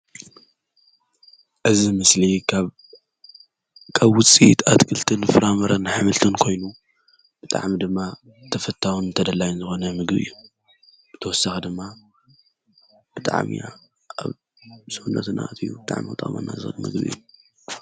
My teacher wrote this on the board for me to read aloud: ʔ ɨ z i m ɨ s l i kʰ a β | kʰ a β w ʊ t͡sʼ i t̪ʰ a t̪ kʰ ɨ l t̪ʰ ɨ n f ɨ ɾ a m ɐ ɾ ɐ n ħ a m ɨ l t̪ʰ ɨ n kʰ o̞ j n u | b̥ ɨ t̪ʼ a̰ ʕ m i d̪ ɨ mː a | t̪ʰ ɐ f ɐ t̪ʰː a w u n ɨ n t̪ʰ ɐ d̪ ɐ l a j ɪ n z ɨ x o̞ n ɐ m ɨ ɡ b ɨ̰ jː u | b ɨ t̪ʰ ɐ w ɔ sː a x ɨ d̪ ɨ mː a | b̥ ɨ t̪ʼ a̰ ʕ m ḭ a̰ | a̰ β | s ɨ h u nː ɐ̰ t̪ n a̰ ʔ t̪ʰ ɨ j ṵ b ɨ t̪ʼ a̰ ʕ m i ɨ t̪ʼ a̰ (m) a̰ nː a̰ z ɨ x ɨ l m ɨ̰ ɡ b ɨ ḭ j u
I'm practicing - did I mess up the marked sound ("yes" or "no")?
no